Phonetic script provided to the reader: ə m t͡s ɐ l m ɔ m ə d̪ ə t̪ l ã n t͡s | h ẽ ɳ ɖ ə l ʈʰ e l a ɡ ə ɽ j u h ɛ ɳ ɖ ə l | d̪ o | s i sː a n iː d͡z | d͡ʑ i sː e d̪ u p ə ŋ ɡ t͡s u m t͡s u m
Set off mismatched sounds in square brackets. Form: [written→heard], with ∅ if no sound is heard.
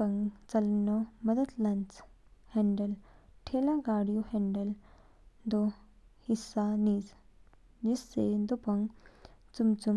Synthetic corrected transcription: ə [m→ŋ] t͡s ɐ l [m→n] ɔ m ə d̪ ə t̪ l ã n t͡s | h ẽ ɳ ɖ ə l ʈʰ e l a ɡ [ə→a] ɽ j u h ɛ ɳ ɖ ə l | d̪ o | [s→h] i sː a n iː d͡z | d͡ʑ i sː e d̪ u p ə ŋ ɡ t͡s u m t͡s u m